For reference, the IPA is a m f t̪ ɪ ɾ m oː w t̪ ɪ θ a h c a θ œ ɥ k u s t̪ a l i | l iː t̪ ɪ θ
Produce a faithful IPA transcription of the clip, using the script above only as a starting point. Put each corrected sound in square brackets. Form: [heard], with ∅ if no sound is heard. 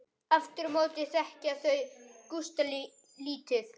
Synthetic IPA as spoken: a [∅] f t̪ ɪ ɾ m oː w t̪ ɪ θ [ɛ] h c a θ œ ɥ k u s t̪ a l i | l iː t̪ ɪ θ